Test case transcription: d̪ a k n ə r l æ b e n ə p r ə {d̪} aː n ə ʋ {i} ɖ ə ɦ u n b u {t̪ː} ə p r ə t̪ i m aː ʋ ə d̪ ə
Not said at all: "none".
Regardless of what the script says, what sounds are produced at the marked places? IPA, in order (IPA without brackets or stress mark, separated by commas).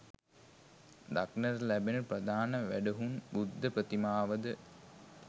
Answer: d̪, æ, d̪ː